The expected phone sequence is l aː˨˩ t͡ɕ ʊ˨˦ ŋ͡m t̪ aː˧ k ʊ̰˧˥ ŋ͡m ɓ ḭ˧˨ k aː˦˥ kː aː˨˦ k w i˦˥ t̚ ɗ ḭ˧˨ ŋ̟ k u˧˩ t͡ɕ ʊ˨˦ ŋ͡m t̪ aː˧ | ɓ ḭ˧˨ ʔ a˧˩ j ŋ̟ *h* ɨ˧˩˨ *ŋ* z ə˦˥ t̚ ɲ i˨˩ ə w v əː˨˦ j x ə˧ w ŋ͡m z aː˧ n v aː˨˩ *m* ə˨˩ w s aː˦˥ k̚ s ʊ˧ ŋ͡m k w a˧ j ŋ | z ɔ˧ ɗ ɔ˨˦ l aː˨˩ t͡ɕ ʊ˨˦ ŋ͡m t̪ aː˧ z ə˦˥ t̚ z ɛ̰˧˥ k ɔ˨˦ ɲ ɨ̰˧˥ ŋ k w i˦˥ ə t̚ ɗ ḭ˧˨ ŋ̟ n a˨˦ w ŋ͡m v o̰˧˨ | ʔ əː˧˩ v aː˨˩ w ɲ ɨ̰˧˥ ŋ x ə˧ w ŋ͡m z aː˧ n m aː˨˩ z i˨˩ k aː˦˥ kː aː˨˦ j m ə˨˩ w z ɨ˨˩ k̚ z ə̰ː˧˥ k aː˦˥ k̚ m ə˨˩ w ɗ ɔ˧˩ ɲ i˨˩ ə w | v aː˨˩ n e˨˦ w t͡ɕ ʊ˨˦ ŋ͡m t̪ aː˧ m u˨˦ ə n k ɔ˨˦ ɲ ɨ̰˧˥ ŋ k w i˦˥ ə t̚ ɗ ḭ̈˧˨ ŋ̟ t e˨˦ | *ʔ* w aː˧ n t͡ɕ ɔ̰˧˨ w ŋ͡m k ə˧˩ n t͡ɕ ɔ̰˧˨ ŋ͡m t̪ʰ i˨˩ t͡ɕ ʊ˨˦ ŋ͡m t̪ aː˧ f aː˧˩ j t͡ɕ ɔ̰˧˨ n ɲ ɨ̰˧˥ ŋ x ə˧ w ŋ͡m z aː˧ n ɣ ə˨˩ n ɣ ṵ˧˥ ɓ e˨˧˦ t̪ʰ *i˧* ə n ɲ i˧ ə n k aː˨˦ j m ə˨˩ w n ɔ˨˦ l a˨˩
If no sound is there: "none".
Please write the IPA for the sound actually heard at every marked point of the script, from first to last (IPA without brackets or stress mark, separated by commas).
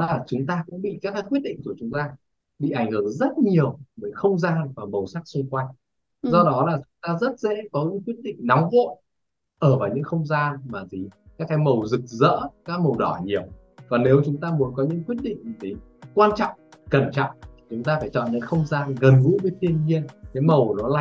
h, ŋ, m, k, i˧